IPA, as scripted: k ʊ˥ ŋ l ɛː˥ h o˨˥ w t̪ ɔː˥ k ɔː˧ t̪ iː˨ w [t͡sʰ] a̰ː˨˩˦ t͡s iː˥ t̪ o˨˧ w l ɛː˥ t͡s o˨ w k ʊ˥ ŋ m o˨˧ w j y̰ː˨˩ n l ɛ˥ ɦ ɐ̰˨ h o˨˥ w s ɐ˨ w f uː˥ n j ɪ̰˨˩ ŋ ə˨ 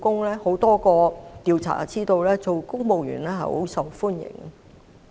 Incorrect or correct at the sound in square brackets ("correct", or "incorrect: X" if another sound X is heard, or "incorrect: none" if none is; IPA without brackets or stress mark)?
correct